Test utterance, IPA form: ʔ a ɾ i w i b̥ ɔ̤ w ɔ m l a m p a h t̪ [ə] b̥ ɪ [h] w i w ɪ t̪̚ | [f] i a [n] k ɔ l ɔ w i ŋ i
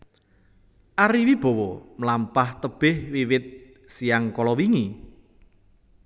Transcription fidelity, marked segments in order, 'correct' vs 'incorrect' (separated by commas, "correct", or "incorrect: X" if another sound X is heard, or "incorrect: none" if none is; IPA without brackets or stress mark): correct, correct, incorrect: s, incorrect: ŋ